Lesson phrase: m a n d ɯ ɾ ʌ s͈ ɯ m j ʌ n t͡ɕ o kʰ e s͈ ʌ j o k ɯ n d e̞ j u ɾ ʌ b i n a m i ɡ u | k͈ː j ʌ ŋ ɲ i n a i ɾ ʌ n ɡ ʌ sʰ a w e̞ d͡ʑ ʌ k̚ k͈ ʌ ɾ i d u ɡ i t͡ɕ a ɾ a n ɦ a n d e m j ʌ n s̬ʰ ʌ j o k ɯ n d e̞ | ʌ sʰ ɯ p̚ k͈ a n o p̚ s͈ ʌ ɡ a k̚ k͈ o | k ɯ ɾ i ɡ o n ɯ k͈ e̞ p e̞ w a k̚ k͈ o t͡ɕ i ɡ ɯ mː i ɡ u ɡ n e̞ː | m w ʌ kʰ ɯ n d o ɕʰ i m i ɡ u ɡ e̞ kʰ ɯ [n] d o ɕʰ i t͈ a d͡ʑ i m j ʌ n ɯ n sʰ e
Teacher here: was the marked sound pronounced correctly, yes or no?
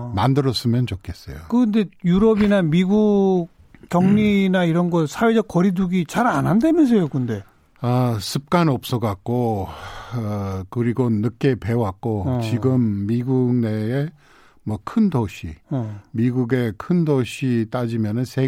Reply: yes